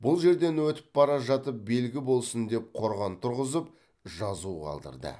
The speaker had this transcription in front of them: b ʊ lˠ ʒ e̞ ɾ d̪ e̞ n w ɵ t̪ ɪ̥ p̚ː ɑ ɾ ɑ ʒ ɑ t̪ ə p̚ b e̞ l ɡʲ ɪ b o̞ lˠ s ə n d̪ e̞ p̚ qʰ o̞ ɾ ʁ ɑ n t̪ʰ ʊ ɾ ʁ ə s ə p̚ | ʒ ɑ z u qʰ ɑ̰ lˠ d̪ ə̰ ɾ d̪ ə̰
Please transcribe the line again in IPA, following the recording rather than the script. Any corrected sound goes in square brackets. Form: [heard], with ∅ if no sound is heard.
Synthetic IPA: b ʊ lˠ ʒ e̞ ɾ d̪ e̞ n w ɵ t̪ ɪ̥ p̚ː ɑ ɾ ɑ ʒ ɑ t̪ ə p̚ b e̞ l ɡʲ ɪ b o̞ lˠ s ə n d̪ e̞ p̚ qʰ o̞ ɾ ʁ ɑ n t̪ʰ ʊ ɾ ʁ ə [z] ə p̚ | ʒ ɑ z u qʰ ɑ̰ lˠ d̪ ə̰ ɾ d̪ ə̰